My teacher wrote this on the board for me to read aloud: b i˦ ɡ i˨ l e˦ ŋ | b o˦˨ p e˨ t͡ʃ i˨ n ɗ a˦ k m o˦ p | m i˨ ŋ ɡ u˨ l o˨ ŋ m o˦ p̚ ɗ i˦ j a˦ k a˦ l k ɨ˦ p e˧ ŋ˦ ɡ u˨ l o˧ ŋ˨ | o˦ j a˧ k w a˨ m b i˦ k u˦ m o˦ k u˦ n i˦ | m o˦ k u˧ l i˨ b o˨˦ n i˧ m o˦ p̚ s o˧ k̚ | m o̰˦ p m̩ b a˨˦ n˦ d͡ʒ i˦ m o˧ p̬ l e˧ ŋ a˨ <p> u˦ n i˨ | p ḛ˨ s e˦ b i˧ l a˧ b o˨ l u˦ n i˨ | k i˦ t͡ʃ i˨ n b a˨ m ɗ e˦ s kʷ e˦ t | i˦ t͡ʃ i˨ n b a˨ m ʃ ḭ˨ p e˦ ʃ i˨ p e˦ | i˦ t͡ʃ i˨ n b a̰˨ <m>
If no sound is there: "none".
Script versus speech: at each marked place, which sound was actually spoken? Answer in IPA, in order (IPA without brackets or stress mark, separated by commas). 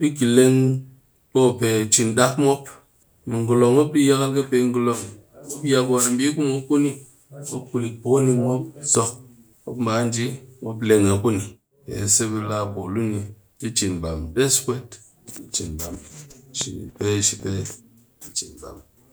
k, m